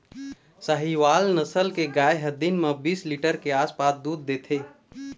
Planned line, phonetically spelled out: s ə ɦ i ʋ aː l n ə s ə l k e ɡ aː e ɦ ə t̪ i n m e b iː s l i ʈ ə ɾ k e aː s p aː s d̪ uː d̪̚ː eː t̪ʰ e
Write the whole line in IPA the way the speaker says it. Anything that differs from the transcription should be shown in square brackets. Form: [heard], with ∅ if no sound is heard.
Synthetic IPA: s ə ɦ i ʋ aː l n ə s ə l k e ɡ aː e ɦ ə [d̪] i n m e b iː s l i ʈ ə ɾ k e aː s p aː s d̪ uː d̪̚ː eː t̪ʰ e